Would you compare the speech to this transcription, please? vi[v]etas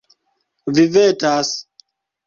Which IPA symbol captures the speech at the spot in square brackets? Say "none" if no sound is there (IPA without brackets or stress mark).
v